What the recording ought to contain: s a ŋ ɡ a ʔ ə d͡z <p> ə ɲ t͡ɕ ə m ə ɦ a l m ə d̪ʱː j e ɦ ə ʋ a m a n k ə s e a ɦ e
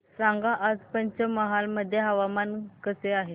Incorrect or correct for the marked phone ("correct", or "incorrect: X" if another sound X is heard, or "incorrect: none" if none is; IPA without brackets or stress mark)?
correct